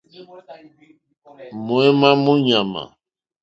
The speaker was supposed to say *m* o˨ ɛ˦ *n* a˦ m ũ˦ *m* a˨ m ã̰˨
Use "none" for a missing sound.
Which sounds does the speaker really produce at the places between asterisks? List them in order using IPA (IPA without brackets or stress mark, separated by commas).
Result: m, m, ɲ